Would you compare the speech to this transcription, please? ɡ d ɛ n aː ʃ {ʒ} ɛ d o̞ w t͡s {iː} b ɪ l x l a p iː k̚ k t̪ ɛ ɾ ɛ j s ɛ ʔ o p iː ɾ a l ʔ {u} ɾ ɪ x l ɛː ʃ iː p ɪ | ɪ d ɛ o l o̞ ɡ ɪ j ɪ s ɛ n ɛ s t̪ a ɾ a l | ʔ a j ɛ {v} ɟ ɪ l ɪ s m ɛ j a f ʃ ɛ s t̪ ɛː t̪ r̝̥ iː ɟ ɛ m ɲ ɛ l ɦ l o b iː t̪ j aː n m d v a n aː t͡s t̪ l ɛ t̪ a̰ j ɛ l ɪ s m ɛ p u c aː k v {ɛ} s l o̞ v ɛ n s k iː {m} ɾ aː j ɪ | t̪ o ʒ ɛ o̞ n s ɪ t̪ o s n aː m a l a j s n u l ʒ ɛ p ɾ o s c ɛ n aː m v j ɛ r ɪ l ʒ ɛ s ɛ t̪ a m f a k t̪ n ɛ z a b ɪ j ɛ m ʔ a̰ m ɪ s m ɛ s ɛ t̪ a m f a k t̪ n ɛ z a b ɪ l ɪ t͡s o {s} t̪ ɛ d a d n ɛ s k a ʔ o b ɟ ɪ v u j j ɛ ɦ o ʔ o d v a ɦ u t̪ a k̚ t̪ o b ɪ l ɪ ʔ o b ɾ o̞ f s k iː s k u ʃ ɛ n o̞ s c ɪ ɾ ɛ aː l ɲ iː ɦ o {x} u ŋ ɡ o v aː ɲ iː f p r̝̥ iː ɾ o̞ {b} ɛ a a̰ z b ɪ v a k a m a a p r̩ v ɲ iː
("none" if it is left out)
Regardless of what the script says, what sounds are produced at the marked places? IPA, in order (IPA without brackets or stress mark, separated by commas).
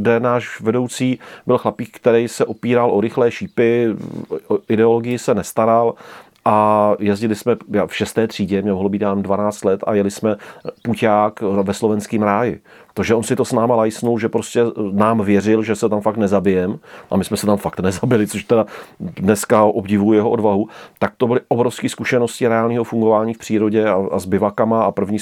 v, iː, o, z, ɛ, m, ʃ, f, ɟ